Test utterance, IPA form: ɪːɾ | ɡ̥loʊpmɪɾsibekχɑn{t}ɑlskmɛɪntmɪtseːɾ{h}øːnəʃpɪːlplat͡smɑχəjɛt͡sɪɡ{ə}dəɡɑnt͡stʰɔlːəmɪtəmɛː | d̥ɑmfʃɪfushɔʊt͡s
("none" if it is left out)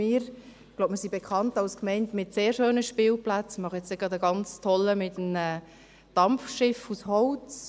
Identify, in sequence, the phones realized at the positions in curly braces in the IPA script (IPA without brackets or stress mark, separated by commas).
t, ʃ, ɑ